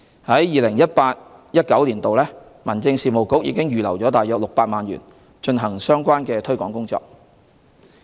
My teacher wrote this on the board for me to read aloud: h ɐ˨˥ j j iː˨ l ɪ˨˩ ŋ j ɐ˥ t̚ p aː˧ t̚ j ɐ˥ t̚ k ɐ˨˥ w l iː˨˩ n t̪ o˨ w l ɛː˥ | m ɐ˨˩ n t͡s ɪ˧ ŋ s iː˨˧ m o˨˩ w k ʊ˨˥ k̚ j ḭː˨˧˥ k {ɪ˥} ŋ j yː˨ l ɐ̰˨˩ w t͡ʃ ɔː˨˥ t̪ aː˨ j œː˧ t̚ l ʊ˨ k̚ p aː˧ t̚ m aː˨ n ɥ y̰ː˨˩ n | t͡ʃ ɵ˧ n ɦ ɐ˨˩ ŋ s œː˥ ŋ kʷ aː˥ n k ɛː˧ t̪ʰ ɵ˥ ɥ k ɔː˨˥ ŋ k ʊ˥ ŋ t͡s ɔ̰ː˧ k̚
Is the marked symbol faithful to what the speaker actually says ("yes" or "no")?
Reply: yes